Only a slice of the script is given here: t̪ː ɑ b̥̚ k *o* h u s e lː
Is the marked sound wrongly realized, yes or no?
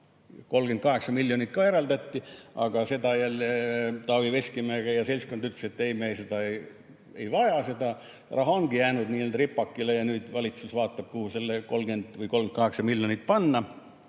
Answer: yes